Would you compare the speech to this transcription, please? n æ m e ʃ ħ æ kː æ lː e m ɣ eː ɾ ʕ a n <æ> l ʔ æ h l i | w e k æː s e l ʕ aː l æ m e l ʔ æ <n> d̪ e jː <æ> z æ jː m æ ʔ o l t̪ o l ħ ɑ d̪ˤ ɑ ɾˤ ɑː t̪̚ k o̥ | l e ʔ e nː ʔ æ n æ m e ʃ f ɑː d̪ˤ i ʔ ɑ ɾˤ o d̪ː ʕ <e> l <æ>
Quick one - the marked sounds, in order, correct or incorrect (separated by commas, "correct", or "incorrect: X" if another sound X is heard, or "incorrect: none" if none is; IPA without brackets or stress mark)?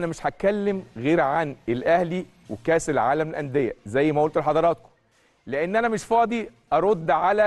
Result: incorrect: e, correct, correct, incorrect: a, correct